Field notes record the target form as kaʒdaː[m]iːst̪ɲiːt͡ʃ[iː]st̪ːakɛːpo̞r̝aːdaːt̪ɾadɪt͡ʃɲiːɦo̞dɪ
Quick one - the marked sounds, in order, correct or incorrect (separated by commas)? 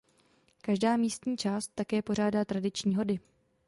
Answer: correct, incorrect